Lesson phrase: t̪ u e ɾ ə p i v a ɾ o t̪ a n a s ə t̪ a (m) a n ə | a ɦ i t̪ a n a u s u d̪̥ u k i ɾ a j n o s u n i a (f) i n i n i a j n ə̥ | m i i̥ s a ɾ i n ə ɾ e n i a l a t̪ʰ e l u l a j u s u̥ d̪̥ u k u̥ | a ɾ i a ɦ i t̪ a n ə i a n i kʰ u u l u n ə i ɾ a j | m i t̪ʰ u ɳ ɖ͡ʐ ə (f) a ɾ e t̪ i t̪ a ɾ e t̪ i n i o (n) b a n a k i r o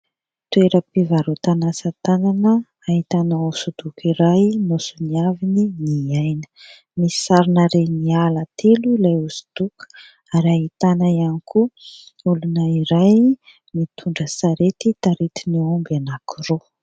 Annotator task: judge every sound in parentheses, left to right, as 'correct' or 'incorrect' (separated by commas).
incorrect, incorrect, incorrect, incorrect